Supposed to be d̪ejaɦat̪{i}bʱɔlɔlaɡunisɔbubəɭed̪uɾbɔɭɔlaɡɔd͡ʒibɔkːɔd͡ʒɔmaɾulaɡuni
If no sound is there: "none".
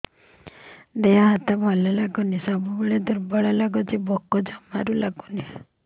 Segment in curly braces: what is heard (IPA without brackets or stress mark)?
a